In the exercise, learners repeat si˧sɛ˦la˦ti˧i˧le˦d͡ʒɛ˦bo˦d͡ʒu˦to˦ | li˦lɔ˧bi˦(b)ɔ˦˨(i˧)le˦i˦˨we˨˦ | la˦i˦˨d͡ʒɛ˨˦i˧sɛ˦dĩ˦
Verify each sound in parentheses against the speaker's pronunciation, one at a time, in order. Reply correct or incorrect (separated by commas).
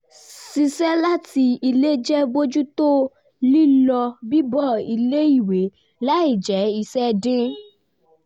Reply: correct, correct